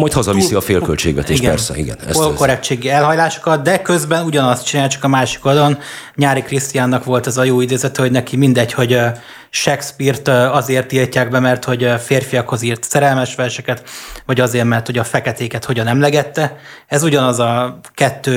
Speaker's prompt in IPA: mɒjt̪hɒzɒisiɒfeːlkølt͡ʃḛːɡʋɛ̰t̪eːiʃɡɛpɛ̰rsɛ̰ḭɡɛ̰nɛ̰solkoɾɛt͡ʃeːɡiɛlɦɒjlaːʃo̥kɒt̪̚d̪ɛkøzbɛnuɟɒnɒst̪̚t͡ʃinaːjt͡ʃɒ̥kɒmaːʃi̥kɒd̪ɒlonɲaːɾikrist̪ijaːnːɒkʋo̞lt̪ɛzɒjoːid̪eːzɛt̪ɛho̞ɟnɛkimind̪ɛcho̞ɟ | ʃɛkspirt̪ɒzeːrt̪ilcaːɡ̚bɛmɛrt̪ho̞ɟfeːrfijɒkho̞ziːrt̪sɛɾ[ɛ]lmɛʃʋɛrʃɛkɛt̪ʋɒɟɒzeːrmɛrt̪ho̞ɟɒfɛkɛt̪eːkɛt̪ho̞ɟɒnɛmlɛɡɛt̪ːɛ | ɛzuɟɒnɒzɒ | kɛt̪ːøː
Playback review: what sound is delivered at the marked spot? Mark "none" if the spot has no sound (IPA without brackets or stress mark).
ɛ